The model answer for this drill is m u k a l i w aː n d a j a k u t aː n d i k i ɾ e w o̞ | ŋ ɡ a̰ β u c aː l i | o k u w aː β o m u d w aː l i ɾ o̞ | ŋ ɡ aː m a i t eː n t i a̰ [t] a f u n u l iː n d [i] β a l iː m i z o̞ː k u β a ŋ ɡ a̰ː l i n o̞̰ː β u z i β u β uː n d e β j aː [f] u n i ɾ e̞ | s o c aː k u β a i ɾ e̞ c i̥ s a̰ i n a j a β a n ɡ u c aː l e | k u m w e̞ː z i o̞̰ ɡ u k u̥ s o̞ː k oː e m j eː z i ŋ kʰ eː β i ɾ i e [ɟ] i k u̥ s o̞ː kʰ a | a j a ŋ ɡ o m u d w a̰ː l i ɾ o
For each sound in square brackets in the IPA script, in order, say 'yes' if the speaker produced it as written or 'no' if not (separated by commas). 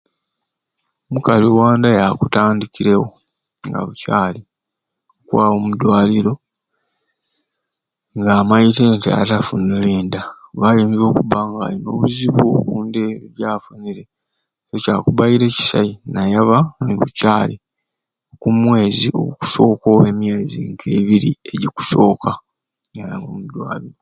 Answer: yes, no, yes, yes